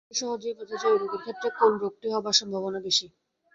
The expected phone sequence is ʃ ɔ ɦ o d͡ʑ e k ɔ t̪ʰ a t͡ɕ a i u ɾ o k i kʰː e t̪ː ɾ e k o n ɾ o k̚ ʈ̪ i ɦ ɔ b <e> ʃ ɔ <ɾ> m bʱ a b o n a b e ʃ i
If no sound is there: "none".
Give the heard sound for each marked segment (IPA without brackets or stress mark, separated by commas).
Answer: a, none